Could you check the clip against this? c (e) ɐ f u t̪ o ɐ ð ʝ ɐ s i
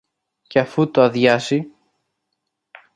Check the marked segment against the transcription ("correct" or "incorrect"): correct